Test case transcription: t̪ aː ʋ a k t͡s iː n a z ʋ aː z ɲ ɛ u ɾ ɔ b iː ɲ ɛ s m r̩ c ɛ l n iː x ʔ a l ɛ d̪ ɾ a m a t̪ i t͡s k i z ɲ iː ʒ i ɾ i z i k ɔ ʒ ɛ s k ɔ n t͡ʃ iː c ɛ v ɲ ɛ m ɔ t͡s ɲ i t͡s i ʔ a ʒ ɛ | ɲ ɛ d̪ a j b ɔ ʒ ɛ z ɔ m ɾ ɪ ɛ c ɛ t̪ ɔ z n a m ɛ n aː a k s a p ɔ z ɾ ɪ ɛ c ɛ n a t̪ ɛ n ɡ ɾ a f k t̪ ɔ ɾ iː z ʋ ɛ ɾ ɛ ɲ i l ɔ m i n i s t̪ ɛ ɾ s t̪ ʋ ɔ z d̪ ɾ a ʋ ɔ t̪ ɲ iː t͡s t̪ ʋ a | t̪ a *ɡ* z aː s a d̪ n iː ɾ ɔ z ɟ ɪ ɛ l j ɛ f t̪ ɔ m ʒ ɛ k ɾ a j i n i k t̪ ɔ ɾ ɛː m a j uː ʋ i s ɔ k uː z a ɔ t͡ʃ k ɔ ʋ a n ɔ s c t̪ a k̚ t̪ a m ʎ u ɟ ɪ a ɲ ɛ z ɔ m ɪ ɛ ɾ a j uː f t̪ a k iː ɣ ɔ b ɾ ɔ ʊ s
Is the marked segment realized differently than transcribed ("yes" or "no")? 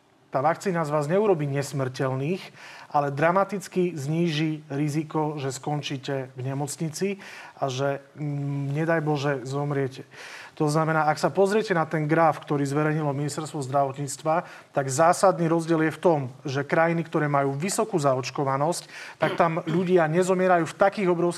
no